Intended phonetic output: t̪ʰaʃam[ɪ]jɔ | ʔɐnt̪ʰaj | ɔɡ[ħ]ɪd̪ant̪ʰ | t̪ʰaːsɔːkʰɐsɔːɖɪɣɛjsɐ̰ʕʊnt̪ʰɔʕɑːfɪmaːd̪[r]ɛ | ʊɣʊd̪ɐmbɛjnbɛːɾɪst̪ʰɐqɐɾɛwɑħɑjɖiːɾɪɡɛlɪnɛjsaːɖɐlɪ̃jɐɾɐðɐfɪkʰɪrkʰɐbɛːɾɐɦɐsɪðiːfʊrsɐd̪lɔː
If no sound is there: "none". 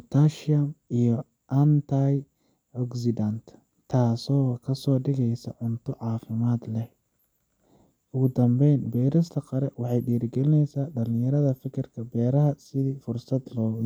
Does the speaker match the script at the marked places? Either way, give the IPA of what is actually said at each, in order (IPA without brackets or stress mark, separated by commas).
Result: i, s, l